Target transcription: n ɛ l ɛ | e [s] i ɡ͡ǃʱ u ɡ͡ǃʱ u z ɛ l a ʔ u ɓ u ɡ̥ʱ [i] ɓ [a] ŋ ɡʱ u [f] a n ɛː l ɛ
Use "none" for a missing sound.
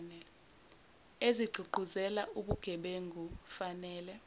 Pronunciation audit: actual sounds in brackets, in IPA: z, ɛ, e, f

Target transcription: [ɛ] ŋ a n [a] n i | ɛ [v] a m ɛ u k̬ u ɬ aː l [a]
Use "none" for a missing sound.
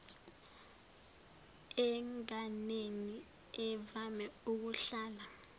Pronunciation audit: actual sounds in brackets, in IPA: ɛ, e, v, a

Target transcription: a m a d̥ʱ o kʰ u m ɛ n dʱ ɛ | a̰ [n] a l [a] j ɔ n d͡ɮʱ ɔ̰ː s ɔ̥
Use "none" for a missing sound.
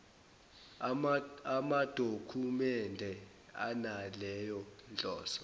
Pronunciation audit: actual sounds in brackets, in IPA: n, ɛ

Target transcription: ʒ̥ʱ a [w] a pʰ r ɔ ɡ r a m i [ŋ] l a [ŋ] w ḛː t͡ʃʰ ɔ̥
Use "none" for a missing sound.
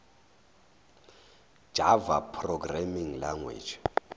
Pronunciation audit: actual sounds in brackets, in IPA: v, ŋ, ŋ

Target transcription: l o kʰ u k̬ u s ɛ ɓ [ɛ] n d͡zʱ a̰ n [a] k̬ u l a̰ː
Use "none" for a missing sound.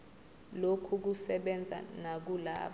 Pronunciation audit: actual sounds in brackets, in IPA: ɛ, a

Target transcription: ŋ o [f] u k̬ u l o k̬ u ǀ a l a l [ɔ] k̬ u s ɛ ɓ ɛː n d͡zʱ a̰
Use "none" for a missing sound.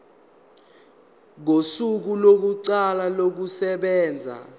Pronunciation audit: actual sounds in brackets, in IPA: s, o

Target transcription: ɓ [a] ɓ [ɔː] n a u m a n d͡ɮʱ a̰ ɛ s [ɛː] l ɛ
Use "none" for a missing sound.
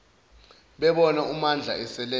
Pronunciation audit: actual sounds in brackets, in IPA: ɛ, ɔ, ɛ

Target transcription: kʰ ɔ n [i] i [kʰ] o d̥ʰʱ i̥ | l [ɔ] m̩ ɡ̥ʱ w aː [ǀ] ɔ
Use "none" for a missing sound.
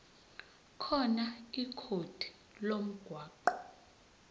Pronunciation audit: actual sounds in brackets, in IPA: a, kʰ, o, ǃ

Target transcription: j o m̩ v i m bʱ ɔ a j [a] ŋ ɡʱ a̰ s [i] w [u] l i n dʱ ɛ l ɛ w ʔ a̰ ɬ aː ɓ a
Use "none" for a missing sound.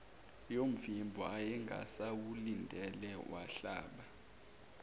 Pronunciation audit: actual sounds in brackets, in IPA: ɛ, a, u

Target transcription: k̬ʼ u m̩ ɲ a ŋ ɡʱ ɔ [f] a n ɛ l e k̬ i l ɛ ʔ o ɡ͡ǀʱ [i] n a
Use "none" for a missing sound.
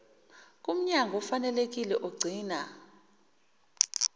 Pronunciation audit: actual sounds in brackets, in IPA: f, iː

